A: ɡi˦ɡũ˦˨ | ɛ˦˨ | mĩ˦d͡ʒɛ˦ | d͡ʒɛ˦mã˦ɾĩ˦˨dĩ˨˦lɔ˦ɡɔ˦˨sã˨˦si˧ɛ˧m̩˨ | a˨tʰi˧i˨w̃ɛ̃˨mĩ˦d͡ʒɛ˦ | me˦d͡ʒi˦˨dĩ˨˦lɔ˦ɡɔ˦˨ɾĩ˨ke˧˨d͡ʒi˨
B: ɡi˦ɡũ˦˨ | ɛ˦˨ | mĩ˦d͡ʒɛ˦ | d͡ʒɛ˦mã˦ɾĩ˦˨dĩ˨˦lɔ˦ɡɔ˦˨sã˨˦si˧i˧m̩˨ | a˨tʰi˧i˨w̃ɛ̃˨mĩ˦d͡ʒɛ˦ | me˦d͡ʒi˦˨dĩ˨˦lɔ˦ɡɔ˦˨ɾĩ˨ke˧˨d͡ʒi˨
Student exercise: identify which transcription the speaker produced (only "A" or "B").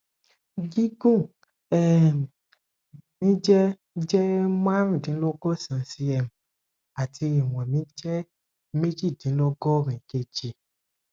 A